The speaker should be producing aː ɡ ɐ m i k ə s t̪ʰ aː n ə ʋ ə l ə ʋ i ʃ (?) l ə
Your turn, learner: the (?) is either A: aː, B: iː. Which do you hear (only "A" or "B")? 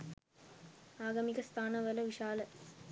A